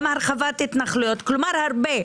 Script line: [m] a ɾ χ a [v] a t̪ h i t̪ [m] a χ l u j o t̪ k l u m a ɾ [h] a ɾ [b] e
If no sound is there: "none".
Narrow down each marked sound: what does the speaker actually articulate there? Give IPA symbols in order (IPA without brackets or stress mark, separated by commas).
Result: m, v, n, h, b